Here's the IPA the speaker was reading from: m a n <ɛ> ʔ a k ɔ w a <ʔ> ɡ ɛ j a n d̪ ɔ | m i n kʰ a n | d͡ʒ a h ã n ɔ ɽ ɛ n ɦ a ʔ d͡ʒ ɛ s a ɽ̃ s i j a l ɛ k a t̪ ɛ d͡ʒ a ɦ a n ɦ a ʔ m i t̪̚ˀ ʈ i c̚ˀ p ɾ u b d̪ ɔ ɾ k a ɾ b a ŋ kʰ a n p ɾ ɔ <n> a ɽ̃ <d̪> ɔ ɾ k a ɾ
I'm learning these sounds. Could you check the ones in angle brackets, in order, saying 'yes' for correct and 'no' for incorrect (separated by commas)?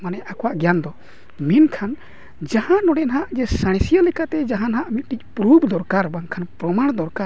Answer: yes, yes, no, yes